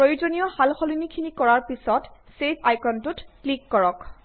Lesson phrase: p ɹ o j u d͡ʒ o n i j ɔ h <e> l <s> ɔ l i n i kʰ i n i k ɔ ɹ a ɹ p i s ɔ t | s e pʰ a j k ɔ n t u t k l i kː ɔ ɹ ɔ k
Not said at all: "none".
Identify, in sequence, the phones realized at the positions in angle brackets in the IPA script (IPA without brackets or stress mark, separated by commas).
a, x